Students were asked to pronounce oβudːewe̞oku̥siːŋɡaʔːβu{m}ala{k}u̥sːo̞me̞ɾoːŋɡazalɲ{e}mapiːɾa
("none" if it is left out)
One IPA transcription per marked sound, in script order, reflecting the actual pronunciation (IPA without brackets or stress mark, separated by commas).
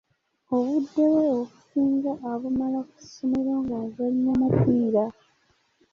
m, k, a